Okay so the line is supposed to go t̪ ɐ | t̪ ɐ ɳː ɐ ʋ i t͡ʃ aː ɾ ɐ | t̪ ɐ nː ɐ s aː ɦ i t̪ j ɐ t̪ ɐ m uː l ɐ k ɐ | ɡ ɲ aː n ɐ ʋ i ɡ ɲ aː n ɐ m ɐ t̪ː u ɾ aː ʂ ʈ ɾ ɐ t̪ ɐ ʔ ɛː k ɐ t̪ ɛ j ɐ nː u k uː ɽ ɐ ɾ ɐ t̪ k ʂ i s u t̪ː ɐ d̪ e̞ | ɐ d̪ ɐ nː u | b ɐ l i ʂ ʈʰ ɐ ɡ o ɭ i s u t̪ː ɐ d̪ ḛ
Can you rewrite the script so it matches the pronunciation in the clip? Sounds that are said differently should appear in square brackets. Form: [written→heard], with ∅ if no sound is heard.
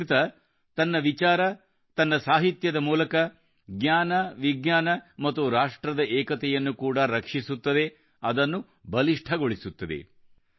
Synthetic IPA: t̪ ɐ | t̪ ɐ [ɳː→nː] ɐ ʋ i t͡ʃ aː ɾ ɐ | t̪ ɐ nː ɐ s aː ɦ i t̪ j ɐ [t̪→d̪] ɐ m uː l ɐ k ɐ | ɡ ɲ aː n ɐ ʋ i ɡ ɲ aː n ɐ m ɐ t̪ː u ɾ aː ʂ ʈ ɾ ɐ [t̪→d̪] ɐ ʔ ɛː k ɐ t̪ ɛ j ɐ nː u k uː ɽ ɐ ɾ ɐ [t̪→∅] k ʂ i s u t̪ː ɐ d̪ e̞ | ɐ d̪ ɐ nː u | b ɐ l i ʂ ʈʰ ɐ ɡ o ɭ i s u t̪ː ɐ d̪ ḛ